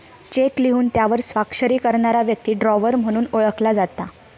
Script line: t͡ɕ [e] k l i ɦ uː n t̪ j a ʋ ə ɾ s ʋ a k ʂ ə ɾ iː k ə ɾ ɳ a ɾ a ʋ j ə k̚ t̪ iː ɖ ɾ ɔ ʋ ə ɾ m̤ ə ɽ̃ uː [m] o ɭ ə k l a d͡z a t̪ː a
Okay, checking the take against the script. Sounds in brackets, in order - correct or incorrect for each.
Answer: correct, incorrect: n

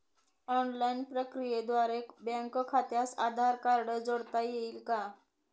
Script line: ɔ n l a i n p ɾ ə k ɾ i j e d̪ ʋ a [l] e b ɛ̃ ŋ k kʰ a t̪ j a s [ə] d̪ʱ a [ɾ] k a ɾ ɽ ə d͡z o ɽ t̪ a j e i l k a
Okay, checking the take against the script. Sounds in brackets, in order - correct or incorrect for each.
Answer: incorrect: ɾ, incorrect: a, correct

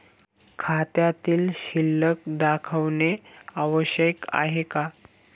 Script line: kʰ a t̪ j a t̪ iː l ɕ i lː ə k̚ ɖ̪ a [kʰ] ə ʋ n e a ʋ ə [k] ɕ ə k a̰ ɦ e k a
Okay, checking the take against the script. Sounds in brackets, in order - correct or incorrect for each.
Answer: correct, incorrect: none

